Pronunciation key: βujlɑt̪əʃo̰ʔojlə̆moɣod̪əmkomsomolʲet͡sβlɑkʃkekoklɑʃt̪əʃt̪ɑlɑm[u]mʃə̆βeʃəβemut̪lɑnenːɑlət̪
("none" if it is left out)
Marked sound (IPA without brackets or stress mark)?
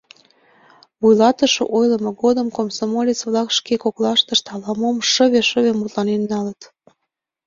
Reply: o